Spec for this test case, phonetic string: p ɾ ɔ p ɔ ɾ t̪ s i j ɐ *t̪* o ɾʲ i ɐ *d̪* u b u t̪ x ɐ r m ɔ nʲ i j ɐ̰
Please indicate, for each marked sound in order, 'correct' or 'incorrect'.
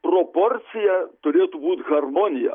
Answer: correct, incorrect: t̪

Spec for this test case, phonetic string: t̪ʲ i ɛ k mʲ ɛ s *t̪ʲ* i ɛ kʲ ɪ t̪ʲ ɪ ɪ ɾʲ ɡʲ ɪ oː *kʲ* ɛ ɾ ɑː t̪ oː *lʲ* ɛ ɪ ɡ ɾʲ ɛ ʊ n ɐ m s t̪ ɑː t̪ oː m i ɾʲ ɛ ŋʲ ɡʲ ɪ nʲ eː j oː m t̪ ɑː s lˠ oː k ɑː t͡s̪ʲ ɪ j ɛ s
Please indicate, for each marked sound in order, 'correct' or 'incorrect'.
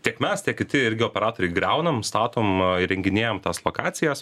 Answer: correct, incorrect: pʲ, incorrect: ɾʲ

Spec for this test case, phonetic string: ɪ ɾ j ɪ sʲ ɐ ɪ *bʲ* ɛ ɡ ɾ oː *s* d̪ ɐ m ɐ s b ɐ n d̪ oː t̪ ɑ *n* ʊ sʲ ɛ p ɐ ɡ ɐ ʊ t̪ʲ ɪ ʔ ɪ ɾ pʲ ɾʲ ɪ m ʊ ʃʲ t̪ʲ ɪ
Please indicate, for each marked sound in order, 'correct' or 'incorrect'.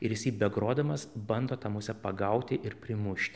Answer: correct, incorrect: none, incorrect: m

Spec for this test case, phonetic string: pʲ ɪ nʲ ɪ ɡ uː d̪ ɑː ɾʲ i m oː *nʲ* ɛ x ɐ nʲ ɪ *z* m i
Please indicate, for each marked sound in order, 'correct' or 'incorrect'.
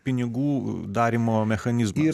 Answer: incorrect: mʲ, correct

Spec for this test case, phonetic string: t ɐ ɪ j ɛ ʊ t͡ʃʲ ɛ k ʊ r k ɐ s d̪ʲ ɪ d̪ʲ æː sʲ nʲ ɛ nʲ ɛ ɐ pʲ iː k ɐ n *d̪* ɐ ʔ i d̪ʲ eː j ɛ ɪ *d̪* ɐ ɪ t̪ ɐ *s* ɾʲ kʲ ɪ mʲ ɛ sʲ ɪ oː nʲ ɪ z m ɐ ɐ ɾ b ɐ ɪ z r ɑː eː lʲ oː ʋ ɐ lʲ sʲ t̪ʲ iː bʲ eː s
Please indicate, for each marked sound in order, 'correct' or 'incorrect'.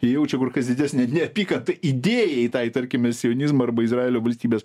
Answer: incorrect: t̪, incorrect: t̪, incorrect: none

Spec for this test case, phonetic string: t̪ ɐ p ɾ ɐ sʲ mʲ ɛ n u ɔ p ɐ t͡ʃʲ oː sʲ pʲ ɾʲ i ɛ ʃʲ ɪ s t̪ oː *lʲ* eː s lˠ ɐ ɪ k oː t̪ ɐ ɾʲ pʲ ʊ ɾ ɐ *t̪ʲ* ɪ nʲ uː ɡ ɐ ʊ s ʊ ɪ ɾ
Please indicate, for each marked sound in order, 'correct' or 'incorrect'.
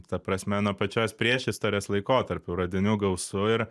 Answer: incorrect: ɾʲ, incorrect: d̪ʲ

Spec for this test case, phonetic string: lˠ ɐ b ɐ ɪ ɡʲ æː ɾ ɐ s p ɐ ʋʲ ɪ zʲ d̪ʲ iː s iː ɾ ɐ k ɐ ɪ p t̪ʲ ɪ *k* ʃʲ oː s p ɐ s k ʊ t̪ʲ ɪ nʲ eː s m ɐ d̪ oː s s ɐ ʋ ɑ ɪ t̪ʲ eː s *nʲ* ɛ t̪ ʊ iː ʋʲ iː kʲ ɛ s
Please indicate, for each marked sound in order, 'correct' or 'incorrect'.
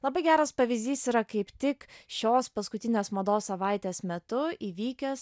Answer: correct, incorrect: mʲ

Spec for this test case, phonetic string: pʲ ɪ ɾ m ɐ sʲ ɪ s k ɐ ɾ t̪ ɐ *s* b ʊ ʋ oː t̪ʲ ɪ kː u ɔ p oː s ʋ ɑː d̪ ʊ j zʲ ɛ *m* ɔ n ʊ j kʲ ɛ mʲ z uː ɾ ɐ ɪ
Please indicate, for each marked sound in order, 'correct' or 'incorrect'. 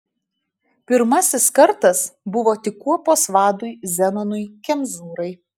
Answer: correct, incorrect: n

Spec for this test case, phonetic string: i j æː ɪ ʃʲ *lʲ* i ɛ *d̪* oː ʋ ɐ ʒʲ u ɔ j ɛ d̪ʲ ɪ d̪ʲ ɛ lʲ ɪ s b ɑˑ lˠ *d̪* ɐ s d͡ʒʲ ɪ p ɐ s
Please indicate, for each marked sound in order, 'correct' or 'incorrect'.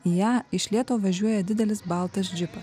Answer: correct, incorrect: t̪, incorrect: t̪

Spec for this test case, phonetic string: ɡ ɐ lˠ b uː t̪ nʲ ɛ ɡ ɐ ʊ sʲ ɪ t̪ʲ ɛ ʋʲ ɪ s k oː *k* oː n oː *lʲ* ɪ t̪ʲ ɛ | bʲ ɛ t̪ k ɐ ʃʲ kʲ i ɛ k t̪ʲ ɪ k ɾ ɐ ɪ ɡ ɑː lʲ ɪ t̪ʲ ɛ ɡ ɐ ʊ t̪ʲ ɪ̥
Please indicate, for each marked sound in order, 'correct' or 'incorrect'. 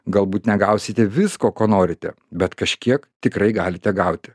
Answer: correct, incorrect: ɾʲ

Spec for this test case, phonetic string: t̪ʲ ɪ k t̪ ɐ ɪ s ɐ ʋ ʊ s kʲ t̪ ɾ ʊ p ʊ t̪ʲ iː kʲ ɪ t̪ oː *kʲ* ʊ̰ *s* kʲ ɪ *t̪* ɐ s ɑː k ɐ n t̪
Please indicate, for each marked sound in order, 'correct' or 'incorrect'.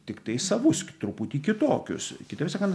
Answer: correct, correct, correct

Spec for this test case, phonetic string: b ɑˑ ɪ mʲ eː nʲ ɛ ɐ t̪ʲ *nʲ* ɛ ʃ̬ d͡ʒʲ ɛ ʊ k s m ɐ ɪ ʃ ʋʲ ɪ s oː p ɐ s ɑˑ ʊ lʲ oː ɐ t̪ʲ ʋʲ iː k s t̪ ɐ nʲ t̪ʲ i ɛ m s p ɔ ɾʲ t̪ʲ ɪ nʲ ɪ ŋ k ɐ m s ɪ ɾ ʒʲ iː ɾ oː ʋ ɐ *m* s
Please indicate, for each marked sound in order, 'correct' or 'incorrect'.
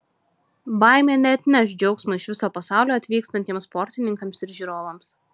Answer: correct, correct

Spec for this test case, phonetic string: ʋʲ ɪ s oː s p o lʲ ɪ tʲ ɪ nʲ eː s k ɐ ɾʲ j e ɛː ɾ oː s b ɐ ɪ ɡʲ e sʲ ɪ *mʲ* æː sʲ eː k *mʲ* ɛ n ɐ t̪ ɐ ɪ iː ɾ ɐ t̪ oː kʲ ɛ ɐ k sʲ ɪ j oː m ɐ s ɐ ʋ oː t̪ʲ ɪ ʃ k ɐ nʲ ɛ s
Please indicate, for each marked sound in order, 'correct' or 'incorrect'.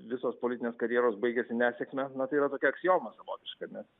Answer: incorrect: nʲ, correct

